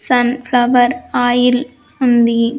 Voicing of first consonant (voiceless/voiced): voiceless